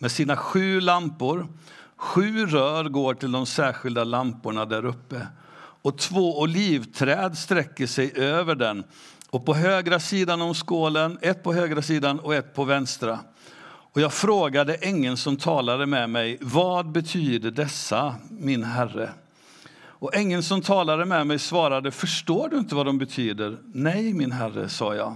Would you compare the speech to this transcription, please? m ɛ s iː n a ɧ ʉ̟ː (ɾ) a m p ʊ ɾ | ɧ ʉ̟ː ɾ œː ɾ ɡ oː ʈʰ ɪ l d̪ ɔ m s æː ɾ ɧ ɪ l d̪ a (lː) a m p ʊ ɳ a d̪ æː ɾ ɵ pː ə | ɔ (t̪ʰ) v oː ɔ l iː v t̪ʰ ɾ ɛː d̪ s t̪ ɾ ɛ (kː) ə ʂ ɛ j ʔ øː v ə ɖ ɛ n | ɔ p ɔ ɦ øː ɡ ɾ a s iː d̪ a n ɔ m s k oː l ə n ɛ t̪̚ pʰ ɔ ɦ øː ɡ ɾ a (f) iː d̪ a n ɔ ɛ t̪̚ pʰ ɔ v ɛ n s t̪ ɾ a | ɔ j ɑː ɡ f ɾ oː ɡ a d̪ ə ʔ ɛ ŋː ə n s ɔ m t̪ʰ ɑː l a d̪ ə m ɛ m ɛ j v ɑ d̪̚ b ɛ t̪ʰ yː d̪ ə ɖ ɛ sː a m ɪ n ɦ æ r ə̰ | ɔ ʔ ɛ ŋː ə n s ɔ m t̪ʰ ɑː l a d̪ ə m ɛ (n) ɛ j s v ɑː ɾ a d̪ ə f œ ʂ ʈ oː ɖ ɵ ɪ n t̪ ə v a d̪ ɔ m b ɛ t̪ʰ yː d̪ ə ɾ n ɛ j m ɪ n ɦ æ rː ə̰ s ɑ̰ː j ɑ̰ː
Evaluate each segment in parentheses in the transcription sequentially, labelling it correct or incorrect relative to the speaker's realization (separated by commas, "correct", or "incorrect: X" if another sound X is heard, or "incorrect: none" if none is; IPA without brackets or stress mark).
incorrect: l, incorrect: l, correct, correct, incorrect: s, incorrect: m